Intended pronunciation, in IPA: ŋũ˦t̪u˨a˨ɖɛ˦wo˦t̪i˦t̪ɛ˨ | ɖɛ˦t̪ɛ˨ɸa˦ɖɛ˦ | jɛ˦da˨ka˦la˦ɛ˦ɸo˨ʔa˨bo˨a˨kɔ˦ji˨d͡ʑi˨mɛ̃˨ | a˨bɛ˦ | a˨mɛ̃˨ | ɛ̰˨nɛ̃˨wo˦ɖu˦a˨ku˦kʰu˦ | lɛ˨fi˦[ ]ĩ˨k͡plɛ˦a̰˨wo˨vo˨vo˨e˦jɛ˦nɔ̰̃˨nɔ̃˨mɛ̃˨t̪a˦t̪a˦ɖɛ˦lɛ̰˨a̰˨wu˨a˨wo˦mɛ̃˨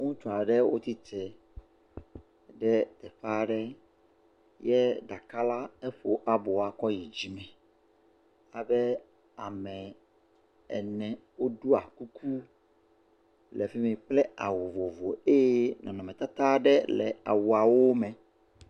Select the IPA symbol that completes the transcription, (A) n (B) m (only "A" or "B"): B